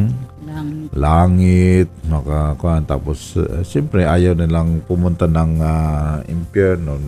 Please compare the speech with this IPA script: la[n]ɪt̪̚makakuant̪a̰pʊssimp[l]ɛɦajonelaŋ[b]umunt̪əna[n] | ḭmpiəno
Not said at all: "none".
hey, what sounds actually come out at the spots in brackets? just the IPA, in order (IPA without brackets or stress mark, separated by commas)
ŋ, ɾ, p, ŋ